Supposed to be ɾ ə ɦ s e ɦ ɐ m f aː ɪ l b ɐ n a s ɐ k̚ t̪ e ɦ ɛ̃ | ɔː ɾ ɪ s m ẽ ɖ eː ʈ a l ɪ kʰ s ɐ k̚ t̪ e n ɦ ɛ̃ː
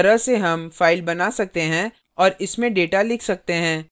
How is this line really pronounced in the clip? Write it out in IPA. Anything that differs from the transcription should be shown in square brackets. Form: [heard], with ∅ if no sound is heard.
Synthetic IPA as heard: ɾ ə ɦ s e ɦ ɐ m f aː ɪ l b ɐ n a s ɐ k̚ t̪ e ɦ ɛ̃ | ɔː ɾ ɪ s m ẽ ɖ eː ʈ a l ɪ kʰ s ɐ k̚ t̪ e [∅] ɦ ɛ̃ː